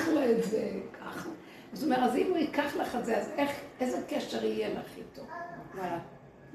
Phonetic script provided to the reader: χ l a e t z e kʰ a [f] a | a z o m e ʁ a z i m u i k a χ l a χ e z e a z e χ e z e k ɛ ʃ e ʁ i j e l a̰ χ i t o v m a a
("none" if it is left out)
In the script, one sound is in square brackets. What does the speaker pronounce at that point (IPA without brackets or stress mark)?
χ